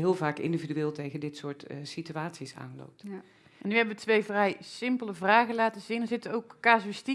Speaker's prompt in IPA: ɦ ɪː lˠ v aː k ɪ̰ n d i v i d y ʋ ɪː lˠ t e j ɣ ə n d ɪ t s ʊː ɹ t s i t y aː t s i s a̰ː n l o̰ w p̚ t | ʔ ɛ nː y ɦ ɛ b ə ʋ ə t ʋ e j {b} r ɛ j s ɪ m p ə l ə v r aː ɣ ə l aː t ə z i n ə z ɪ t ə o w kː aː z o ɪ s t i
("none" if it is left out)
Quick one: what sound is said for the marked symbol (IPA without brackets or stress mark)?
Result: v